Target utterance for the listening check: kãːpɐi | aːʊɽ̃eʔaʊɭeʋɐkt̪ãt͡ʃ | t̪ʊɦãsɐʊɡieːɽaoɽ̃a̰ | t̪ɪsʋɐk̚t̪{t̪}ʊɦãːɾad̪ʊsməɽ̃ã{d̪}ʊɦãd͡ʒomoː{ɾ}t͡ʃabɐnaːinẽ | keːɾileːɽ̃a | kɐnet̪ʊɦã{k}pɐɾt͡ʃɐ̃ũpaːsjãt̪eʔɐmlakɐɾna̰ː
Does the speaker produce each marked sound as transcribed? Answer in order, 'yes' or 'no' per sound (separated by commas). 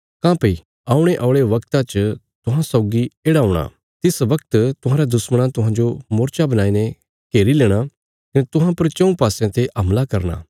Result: yes, no, yes, no